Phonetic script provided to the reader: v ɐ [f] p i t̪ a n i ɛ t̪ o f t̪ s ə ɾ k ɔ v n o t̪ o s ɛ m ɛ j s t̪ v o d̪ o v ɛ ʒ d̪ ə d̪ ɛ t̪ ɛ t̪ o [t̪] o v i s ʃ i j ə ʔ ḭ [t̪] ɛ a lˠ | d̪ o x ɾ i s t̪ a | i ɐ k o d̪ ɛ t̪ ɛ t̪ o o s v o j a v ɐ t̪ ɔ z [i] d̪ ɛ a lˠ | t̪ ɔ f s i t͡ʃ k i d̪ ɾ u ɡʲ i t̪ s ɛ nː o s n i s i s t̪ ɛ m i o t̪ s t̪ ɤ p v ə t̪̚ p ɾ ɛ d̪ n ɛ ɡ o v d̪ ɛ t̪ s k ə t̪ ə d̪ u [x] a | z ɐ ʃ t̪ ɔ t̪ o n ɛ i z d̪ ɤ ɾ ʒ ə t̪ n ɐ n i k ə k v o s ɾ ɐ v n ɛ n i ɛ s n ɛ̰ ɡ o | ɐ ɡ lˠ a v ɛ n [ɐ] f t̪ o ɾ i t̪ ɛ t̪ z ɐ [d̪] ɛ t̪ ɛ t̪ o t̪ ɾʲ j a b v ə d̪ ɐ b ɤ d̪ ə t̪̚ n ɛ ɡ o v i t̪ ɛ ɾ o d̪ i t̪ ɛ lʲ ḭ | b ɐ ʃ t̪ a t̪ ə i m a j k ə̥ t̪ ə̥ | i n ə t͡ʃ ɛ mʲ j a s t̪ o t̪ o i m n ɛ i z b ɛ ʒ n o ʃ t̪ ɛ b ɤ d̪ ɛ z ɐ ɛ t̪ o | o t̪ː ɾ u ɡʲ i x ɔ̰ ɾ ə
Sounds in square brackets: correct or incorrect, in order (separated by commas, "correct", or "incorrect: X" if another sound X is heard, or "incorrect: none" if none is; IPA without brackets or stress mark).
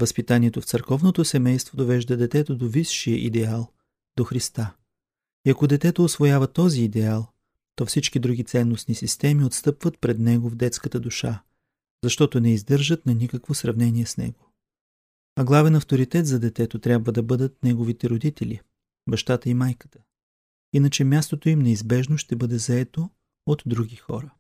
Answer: incorrect: s, incorrect: d̪, incorrect: d̪, incorrect: iː, incorrect: ʃ, correct, correct